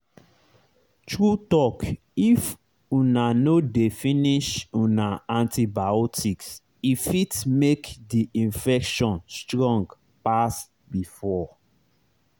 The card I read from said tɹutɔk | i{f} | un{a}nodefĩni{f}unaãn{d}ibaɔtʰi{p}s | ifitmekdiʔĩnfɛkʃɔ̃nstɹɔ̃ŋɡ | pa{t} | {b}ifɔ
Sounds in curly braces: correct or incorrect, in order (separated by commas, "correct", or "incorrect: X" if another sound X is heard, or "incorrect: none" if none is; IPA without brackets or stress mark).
correct, correct, incorrect: ʃ, incorrect: t, incorrect: k, incorrect: s, correct